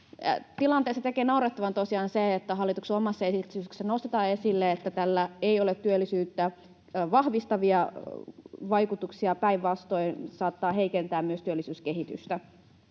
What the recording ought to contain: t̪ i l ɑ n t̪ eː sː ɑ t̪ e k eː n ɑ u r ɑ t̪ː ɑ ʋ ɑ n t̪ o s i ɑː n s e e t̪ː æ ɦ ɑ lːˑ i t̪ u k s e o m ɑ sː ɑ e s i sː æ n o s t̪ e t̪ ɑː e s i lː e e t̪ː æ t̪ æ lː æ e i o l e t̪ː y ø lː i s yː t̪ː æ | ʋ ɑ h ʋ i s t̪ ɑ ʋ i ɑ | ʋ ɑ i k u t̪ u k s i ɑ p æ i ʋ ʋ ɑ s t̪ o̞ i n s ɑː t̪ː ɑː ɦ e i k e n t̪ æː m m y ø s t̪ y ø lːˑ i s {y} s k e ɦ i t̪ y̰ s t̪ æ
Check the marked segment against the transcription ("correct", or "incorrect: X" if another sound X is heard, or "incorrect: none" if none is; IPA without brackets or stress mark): incorrect: yː